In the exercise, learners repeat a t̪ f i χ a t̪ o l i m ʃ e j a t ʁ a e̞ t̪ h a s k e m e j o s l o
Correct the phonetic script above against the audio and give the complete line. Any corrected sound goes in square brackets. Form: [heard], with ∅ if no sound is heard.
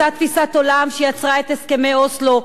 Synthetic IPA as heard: a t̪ f i [s] a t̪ o l [a] m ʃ e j a [t͡s] ʁ a e̞ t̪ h [e] s k e m e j o s l o